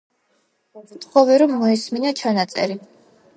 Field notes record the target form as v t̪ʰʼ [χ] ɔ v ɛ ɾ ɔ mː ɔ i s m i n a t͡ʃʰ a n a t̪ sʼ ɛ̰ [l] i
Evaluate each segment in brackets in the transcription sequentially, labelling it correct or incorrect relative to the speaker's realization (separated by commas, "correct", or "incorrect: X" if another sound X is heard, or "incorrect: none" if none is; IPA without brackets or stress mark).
correct, incorrect: ɾ